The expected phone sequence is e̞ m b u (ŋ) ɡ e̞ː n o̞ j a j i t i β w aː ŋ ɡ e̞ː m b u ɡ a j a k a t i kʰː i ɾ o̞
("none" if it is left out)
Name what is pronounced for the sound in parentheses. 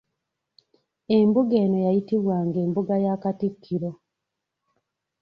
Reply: none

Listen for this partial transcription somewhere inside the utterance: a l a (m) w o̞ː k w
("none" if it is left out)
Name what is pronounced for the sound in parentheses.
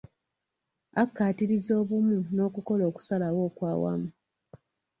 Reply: none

